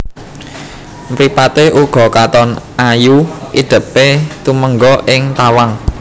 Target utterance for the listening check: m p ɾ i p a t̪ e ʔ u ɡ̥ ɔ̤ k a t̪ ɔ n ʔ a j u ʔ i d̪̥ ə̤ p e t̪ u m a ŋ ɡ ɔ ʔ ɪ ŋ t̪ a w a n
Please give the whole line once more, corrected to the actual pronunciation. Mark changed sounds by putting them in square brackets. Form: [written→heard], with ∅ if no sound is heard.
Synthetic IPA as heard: m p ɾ i p a t̪ e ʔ u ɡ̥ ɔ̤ k a t̪ ɔ n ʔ a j u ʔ i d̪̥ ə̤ p e t̪ u m [a→ə] ŋ ɡ ɔ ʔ ɪ ŋ t̪ a w a [n→ŋ]

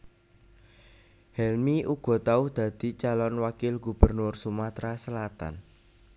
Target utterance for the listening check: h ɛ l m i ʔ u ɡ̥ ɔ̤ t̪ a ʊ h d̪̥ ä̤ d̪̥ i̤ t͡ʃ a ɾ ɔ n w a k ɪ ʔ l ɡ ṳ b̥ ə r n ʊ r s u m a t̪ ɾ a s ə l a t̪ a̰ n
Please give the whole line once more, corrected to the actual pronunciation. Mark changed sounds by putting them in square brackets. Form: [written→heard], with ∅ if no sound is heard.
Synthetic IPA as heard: h ɛ l m i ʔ u ɡ̥ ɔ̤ t̪ a ʊ h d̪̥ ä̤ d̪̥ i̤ t͡ʃ a [ɾ→l] ɔ n w a k ɪ [ʔ→∅] l ɡ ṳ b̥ ə r n ʊ r s u m a t̪ ɾ a s ə l a t̪ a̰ n

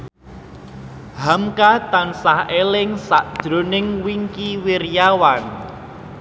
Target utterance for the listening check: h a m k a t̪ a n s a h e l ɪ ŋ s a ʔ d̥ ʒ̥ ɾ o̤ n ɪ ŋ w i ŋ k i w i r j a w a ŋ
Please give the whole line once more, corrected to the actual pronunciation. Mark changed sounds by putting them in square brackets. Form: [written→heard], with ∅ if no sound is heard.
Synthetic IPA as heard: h a m k a t̪ a n s a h e l ɪ ŋ s a ʔ d̥ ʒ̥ ɾ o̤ n ɪ ŋ w i ŋ k i w i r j a w a [ŋ→n]

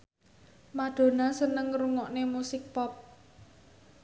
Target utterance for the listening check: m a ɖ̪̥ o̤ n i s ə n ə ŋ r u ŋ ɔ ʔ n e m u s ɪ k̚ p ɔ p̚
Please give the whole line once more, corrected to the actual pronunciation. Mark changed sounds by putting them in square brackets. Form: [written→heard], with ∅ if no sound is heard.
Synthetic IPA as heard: m a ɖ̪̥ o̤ n [i→a] s ə n ə ŋ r u ŋ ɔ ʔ n e m u s ɪ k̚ p ɔ p̚

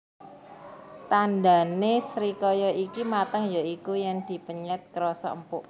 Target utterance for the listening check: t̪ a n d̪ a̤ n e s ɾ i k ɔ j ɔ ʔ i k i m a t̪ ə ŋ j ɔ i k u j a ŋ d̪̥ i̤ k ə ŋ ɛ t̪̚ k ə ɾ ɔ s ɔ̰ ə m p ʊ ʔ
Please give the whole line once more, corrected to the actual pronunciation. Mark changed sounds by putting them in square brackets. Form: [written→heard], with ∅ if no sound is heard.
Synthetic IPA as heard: t̪ a n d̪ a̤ n e s ɾ i k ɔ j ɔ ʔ i k i m a t̪ ə ŋ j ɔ i k u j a ŋ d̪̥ i̤ [k→p] ə [ŋ→ɲ] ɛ t̪̚ k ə ɾ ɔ s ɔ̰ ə m p ʊ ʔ

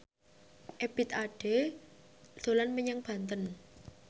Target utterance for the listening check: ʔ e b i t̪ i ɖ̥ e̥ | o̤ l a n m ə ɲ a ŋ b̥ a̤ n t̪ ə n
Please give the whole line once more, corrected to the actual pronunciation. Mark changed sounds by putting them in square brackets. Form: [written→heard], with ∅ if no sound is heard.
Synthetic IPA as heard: ʔ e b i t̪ [i→a] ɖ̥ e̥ | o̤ l a n m ə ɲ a ŋ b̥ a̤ n t̪ ə n

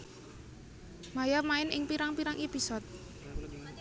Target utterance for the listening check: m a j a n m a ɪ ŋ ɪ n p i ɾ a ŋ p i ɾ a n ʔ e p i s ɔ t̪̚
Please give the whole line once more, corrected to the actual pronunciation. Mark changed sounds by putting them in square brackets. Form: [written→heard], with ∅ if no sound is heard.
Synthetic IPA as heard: m a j a [n→∅] m a ɪ [ŋ→n] ɪ [n→ŋ] p i ɾ a ŋ p i ɾ a [n→ŋ] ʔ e p i s ɔ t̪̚

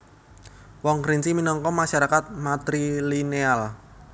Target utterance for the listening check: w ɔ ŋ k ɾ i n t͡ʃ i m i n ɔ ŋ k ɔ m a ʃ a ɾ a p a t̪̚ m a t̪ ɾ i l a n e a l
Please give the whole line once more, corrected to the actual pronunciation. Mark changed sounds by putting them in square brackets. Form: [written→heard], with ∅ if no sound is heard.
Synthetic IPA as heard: w ɔ ŋ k ɾ i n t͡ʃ i m i n ɔ ŋ k ɔ m a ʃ a ɾ a [p→k] a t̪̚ m a t̪ ɾ i l [a→i] n e a l

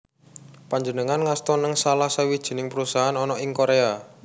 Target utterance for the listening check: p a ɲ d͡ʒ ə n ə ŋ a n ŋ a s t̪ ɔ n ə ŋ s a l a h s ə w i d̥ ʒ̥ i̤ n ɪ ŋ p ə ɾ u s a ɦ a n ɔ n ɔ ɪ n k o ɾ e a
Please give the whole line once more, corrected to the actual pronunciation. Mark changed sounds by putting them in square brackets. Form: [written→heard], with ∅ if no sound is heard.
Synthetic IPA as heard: p a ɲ d͡ʒ ə n ə ŋ a n ŋ a s t̪ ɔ n ə ŋ s a l a h s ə w i d̥ ʒ̥ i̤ n ɪ ŋ p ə ɾ u s a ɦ a n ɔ n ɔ ɪ [n→ŋ] k o ɾ e a

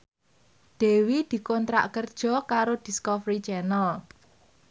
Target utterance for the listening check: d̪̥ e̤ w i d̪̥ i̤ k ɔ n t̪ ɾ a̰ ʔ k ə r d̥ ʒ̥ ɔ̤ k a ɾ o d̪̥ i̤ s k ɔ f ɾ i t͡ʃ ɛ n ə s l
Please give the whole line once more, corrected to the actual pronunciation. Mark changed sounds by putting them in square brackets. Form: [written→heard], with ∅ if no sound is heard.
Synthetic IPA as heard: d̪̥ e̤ w i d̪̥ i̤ k ɔ n t̪ ɾ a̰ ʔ k ə r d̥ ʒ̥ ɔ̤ k a ɾ o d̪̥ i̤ s k ɔ f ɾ i t͡ʃ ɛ n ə [s→∅] l

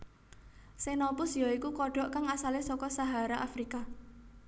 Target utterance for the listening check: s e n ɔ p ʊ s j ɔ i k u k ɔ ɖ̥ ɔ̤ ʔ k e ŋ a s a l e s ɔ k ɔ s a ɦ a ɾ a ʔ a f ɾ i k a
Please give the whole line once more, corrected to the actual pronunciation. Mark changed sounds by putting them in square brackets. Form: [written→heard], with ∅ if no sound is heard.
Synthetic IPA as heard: s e n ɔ p ʊ s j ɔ i k u k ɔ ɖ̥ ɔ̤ ʔ k [e→a] ŋ a s a l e s ɔ k ɔ s a ɦ a ɾ a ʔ a f ɾ i k a

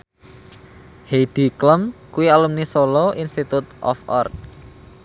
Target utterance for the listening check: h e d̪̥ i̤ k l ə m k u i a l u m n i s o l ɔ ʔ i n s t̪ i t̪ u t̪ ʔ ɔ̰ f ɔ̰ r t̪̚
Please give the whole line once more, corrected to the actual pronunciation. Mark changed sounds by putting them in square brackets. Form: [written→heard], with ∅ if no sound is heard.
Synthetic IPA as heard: h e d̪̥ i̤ k l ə m k u i a l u m n i s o l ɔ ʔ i n s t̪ i t̪ u t̪ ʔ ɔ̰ f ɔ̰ r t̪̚

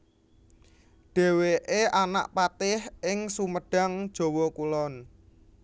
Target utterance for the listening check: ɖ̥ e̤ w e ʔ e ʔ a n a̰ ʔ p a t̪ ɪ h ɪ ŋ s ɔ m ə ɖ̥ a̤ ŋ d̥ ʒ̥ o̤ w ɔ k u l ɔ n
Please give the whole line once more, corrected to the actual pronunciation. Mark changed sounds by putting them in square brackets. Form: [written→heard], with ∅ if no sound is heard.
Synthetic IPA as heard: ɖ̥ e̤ w e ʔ e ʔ a n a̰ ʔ p a t̪ ɪ h ɪ ŋ s [ɔ→u] m ə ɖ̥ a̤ ŋ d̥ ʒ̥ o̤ w ɔ k u l ɔ n

